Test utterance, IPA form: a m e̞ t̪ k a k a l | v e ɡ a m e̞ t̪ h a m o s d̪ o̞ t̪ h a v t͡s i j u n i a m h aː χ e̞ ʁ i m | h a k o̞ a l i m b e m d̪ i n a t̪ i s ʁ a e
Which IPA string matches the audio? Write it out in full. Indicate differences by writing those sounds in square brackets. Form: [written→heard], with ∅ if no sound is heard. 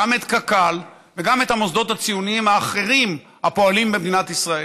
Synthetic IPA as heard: a m e̞ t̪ k a k a l | v e ɡ a m e̞ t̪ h a m o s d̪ o̞ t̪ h a [v→∅] t͡s i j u n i [a→i] m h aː χ e̞ ʁ i m | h a [k→p] o̞ a l i m b e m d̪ i n a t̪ i s ʁ a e